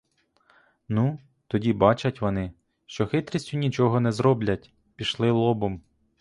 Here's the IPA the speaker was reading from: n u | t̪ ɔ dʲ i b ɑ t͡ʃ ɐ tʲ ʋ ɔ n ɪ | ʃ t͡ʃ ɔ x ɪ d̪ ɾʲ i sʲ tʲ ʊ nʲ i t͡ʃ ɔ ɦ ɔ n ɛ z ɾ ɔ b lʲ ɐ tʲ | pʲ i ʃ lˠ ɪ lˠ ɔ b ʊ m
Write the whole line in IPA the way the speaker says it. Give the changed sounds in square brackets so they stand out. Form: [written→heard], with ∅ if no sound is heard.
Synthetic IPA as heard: n u | t̪ ɔ dʲ i b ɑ t͡ʃ ɐ tʲ ʋ ɔ n ɪ | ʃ t͡ʃ ɔ x ɪ [d̪→t̪] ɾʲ i sʲ tʲ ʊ nʲ i t͡ʃ ɔ ɦ ɔ n ɛ z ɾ ɔ b lʲ ɐ tʲ | pʲ i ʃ lˠ ɪ lˠ ɔ b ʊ m